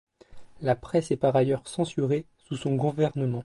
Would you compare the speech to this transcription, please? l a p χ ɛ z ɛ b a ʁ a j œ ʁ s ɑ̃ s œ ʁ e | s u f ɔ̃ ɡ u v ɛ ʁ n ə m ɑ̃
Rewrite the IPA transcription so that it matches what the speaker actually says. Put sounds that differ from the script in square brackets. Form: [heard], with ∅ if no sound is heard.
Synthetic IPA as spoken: l a p χ ɛ [s] ɛ [p] a ʁ a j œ ʁ s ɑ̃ s [y] ʁ e | s u [s] ɔ̃ ɡ u v ɛ ʁ n ə m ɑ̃

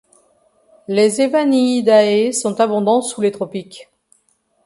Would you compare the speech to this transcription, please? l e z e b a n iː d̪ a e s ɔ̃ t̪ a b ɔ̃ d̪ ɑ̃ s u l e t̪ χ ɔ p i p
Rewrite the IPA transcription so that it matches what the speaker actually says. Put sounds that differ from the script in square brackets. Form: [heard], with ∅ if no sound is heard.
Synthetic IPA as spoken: l e z e [v] a n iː d̪ a e s ɔ̃ t̪ a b ɔ̃ d̪ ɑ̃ s u l e t̪ χ ɔ p i [k]

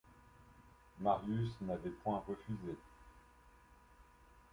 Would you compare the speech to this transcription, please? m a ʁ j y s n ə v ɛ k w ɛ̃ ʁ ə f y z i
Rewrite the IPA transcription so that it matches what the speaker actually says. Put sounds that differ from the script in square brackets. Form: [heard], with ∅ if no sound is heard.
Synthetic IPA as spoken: m a ʁ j y s n [a] v ɛ [p] w ɛ̃ ʁ ə f y z [e]

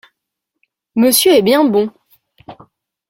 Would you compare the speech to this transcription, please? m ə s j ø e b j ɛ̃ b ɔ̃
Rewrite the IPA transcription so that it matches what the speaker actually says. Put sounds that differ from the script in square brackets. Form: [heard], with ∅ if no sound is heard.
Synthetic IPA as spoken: m ə s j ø [ɛ] b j ɛ̃ b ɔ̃

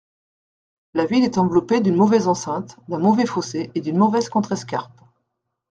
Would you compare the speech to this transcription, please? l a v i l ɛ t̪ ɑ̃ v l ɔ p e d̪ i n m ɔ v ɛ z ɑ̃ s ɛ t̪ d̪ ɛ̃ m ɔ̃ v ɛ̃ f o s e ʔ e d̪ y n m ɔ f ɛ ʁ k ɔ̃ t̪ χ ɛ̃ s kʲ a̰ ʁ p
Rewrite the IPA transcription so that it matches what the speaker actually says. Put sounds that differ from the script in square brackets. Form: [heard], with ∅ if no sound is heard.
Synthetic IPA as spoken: l a v i l ɛ t̪ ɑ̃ v l ɔ p e d̪ [y] n m ɔ v ɛ z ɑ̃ s [ɛ̃] t̪ d̪ ɛ̃ m [ɔ] v [ɛ] f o s e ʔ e d̪ y n m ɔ [v] ɛ [z] k ɔ̃ t̪ χ [ɛ] s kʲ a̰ ʁ p

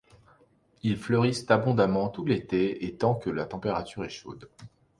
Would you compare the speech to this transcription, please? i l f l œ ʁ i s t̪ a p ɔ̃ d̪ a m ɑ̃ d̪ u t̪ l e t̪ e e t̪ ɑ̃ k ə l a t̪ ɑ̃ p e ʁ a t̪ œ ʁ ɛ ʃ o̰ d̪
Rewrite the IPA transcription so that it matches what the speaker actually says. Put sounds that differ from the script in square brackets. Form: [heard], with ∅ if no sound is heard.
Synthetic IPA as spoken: i l f l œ ʁ i s t̪ a [b] ɔ̃ d̪ a m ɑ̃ [t̪] u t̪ l e t̪ e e t̪ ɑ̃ k ə l a t̪ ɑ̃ p e ʁ a t̪ [y] ʁ ɛ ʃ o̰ d̪

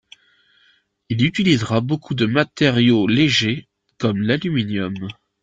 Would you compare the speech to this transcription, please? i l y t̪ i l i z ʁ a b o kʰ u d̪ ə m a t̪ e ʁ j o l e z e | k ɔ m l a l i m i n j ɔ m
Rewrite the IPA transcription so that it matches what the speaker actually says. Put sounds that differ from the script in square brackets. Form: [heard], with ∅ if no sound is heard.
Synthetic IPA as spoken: i l y t̪ i l i z ʁ a b o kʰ u d̪ ə m a t̪ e ʁ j o l e [ʒ] e | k ɔ m l a l [y] m i n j ɔ m

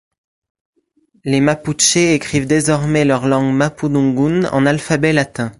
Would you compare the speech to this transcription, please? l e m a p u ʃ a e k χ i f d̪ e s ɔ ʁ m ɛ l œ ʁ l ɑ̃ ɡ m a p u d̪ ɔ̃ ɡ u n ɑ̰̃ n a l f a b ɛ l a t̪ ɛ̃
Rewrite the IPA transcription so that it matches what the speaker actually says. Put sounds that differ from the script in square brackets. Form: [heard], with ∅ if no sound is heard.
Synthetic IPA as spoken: l e m a p u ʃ [e] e k χ i [v] d̪ e [z] ɔ ʁ m ɛ l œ ʁ l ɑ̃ ɡ m a p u d̪ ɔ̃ ɡ u n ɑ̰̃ n a l f a b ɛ l a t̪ ɛ̃

